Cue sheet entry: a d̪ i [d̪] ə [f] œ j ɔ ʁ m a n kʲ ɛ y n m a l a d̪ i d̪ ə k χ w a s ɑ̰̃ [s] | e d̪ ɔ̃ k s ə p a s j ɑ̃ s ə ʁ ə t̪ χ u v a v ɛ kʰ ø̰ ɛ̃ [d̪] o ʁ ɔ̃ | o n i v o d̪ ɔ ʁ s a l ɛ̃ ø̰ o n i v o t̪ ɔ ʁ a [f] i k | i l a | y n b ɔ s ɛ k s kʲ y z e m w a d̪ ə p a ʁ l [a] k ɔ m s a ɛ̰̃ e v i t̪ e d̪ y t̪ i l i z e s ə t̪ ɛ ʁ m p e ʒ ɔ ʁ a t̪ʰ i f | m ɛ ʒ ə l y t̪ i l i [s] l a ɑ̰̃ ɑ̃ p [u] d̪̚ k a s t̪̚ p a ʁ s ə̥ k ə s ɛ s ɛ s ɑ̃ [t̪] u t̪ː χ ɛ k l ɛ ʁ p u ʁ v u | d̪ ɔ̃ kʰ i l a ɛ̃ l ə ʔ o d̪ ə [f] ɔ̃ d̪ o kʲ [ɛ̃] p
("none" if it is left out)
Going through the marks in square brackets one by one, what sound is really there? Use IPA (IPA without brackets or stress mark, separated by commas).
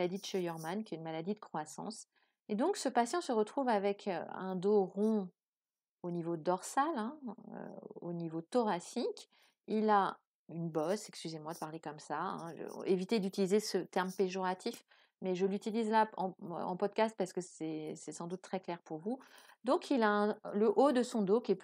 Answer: d̪, ʃ, s, d̪, s, e, z, ɔ, d̪, s, ɛ